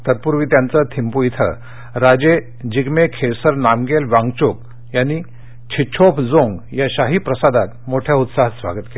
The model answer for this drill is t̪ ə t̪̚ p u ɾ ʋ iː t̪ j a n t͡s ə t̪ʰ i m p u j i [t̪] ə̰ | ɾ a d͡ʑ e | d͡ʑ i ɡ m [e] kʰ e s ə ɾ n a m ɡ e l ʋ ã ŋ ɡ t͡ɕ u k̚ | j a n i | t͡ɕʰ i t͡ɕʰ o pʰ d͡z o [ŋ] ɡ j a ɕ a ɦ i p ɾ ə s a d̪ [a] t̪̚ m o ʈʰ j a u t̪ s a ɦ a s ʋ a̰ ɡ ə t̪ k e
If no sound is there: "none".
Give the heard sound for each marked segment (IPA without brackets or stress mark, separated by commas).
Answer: t̪ʰ, e, ŋ, a